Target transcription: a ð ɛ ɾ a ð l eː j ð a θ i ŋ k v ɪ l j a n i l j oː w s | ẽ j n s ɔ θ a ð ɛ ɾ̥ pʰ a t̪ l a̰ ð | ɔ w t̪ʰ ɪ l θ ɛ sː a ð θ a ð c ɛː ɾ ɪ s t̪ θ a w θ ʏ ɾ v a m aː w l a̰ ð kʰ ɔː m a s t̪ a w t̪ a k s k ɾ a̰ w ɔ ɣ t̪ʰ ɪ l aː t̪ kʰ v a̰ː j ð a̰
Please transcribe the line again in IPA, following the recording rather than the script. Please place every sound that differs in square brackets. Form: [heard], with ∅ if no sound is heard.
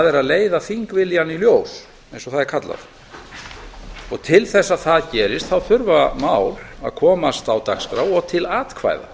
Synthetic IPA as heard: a ð ɛ ɾ a ð l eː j ð a θ i ŋ k v ɪ l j a n i l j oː w s | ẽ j n s ɔ θ a ð ɛ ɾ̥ [kʰ] a t̪ l a̰ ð | ɔ [ɣ] t̪ʰ ɪ l θ ɛ sː a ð θ a ð c ɛː ɾ ɪ s t̪ θ a w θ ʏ ɾ v a m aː w l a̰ ð kʰ ɔː m a s t̪ a w t̪ a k s k ɾ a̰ w ɔ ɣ t̪ʰ ɪ l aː t̪ kʰ v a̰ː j ð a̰